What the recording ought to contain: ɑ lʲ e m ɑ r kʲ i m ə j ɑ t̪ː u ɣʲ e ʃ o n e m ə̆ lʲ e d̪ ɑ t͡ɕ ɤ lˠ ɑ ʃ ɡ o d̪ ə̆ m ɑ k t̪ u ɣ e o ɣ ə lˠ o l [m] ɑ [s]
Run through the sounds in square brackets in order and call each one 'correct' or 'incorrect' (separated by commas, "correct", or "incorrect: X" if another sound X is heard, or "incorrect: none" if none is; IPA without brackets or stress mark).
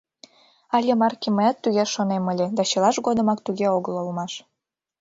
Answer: correct, incorrect: ʃ